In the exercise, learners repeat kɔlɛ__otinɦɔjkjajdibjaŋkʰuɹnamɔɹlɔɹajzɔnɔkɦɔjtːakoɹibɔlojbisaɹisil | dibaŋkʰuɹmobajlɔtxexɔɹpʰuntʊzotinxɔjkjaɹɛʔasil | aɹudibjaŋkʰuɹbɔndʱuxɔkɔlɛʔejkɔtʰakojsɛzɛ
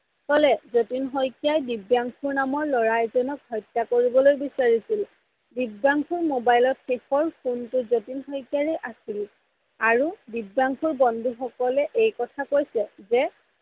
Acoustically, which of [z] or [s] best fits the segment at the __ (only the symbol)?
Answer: z